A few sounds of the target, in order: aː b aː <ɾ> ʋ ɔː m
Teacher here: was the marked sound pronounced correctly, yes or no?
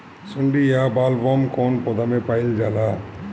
no